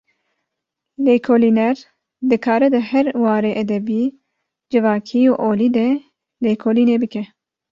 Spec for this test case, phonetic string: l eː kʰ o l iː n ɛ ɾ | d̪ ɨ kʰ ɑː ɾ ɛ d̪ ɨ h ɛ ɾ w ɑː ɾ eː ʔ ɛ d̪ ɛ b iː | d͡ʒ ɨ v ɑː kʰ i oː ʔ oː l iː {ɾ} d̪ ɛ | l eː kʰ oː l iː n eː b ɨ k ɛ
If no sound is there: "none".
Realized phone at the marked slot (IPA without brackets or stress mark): none